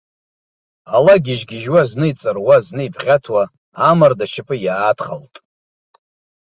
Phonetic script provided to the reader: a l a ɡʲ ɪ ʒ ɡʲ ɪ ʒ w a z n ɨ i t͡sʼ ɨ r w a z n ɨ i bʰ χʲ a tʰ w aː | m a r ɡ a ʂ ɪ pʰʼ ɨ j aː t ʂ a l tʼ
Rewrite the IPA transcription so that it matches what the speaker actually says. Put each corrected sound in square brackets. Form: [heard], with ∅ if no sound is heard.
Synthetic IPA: a l a ɡʲ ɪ ʒ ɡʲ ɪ ʒ w a z n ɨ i t͡sʼ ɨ r w a z n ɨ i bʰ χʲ a tʰ w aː | m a r [d] a [ʃ] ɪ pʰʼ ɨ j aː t [χ] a l tʼ